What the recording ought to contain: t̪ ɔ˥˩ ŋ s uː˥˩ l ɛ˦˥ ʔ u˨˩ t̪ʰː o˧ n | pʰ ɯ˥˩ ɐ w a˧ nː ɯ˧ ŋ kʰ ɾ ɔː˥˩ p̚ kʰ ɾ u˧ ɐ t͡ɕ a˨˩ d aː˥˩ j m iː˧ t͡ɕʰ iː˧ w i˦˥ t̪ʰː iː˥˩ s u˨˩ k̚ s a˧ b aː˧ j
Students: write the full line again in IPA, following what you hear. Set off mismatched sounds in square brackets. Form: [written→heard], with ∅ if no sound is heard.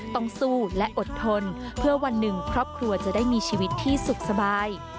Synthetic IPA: t̪ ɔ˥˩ ŋ s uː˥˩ l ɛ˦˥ ʔ [u˨˩→o˨˩] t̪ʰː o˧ n | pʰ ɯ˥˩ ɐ w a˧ nː [ɯ˧→ɯ˨˩] ŋ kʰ ɾ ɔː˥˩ p̚ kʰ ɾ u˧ ɐ t͡ɕ a˨˩ d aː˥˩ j m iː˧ t͡ɕʰ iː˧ w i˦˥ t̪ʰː iː˥˩ s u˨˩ k̚ s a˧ b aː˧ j

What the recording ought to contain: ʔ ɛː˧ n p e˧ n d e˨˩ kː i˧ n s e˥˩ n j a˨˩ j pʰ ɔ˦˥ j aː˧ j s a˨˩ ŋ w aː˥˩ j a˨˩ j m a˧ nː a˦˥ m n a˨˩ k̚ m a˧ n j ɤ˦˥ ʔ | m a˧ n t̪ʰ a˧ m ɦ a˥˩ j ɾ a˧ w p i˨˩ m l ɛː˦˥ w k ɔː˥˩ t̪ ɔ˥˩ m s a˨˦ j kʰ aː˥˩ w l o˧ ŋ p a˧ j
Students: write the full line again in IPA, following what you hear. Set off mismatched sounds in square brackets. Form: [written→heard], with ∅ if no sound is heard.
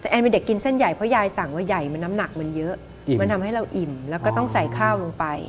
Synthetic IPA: ʔ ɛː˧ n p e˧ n d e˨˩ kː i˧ n s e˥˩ n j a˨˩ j pʰ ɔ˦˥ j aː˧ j s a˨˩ ŋ w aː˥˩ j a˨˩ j m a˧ nː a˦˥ m n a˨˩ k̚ m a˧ n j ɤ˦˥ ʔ | m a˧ n t̪ʰ a˧ m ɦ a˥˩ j ɾ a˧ w [p→ʔ] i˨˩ m l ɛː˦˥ w k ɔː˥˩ t̪ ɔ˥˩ [m→ŋ] s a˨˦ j kʰ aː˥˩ w l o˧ ŋ p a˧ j

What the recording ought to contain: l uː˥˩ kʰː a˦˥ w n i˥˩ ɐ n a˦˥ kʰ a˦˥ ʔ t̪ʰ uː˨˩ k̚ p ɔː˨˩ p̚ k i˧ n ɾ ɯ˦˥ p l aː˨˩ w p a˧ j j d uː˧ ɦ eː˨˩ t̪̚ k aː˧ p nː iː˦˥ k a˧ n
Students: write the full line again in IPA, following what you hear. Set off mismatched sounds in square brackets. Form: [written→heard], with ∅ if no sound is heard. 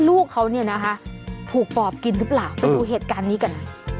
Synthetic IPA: l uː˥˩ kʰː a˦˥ w n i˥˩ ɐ n a˦˥ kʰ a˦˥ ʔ t̪ʰ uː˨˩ k̚ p ɔː˨˩ p̚ k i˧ n ɾ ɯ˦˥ p l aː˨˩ w p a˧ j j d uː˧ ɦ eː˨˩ t̪̚ k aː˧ [p→∅] nː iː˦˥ k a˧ n

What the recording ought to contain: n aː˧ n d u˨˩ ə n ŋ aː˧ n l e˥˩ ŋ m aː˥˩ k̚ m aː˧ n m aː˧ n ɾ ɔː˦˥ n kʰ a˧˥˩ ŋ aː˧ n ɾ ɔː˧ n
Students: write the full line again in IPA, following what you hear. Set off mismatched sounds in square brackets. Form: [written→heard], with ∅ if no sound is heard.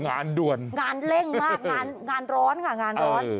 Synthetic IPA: [n→ŋ] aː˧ n d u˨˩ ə n ŋ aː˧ n l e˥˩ ŋ m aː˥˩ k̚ [m→ŋ] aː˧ n [m→ŋ] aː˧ n ɾ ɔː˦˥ n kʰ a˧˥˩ ŋ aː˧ n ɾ [ɔː˧→ɔː˦˥] n

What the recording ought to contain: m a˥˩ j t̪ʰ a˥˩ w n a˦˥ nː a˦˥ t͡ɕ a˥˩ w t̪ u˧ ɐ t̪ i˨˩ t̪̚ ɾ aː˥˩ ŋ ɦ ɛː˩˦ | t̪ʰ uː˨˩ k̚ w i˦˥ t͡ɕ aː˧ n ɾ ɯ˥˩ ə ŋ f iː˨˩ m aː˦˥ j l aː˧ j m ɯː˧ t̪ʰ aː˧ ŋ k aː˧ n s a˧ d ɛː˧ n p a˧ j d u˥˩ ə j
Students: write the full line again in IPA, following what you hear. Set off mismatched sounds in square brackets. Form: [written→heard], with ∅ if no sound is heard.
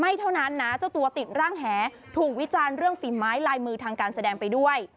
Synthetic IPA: m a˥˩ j t̪ʰ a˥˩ w n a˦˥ nː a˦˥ t͡ɕ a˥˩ w t̪ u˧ ɐ t̪ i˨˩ t̪̚ ɾ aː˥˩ ŋ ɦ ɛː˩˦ | t̪ʰ uː˨˩ k̚ w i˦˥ t͡ɕ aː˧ n ɾ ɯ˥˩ ə ŋ f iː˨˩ m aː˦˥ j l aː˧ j m ɯː˧ t̪ʰ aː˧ ŋ k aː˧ n s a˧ d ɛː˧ [n→ŋ] p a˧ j d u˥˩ ə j

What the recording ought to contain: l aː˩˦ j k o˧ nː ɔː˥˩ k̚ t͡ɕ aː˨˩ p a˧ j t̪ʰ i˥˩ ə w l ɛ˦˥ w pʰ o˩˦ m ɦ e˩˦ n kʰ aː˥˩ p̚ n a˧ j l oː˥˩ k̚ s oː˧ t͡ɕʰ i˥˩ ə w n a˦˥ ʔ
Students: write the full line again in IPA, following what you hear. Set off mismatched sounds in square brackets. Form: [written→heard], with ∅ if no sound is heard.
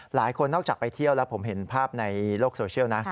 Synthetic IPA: l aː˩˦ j [k→kʰ] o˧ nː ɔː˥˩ k̚ t͡ɕ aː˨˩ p a˧ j t̪ʰ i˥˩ ə w l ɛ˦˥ w pʰ o˩˦ m ɦ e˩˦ n [kʰ→pʰ] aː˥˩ p̚ n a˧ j l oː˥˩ k̚ s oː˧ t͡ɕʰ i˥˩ ə w n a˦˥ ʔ

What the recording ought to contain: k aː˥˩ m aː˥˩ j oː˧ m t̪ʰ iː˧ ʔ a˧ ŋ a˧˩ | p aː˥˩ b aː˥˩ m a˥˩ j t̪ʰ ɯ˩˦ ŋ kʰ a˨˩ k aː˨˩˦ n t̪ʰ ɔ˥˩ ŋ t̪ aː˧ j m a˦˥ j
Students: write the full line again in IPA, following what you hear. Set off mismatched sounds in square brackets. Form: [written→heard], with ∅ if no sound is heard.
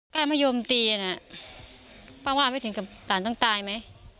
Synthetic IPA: k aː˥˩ m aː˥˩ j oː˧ m [t̪ʰ→t̪] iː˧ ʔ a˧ [ŋ→n] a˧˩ | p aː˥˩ [b→w] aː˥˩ m a˥˩ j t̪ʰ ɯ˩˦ ŋ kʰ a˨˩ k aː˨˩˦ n [t̪ʰ→t̪] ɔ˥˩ ŋ t̪ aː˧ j m a˦˥ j

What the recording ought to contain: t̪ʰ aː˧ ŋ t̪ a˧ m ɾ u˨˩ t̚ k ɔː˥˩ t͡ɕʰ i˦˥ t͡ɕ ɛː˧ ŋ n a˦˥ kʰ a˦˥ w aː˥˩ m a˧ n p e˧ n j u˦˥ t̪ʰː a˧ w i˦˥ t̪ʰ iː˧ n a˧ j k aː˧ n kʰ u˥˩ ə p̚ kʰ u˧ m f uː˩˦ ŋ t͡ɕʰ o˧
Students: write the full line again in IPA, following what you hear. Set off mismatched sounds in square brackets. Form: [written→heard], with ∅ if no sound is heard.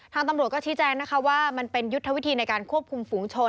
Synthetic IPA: t̪ʰ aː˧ ŋ t̪ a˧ m ɾ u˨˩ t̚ k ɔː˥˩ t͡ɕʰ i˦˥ t͡ɕ ɛː˧ ŋ n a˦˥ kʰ a˦˥ w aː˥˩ m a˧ n p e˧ n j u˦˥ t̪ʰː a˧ w i˦˥ t̪ʰ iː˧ n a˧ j k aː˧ n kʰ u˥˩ ə p̚ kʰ u˧ m f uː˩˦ ŋ t͡ɕʰ o˧

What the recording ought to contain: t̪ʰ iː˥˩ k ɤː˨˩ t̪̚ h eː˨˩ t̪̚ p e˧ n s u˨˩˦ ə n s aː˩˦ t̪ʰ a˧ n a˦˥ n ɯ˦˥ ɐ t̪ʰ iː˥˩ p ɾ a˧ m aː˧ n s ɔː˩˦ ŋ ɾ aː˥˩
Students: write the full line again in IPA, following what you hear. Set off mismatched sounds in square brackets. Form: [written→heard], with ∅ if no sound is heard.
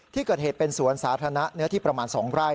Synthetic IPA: t̪ʰ iː˥˩ k ɤː˨˩ t̪̚ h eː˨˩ t̪̚ p e˧ n s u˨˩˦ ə n s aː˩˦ t̪ʰ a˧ n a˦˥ n ɯ˦˥ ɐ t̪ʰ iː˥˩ p ɾ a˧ m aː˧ n s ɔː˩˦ ŋ ɾ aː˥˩

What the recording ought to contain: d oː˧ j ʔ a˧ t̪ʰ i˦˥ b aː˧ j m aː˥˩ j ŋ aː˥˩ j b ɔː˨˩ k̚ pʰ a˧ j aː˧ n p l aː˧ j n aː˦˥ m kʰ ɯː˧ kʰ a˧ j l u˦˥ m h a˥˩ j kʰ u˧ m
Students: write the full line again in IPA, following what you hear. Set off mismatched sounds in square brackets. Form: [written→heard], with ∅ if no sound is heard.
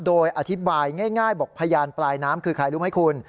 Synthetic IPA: d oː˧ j ʔ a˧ t̪ʰ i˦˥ b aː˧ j [m→ŋ] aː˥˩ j ŋ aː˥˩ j b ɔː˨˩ k̚ pʰ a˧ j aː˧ n p l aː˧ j n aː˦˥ m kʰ ɯː˧ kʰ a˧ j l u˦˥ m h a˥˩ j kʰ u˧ [m→n]

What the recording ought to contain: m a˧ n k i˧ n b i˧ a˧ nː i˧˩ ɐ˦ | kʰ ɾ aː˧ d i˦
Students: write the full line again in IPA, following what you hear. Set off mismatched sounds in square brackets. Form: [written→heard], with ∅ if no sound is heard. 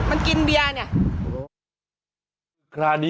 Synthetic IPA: m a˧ n k i˧ n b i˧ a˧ [nː→n] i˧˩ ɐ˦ | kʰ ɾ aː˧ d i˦

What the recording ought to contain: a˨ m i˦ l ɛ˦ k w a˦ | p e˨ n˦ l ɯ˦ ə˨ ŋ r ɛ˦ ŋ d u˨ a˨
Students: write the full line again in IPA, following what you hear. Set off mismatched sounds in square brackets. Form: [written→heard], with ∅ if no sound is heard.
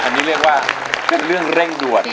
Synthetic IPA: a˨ [m→n] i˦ l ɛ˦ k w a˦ | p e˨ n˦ l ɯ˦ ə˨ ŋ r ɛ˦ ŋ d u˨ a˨

